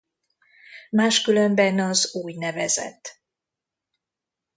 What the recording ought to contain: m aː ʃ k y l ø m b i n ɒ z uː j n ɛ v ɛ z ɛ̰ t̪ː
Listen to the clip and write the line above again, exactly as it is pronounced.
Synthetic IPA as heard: m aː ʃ k y l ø m b ɛ n ɒ z uː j n ɛ v ɛ z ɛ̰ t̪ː